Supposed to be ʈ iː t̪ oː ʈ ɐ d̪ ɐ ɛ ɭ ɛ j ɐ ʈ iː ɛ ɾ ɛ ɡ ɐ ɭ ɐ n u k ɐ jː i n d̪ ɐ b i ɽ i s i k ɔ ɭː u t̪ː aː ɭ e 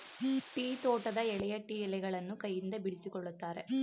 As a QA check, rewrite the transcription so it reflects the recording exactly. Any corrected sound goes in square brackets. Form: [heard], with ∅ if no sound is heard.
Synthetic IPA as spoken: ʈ iː t̪ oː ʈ ɐ d̪ ɐ ɛ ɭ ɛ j ɐ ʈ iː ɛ [l] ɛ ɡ ɐ ɭ ɐ [nː] u k ɐ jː i n d̪ ɐ b i ɽ i s i k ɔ ɭː u t̪ː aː [ɾ] e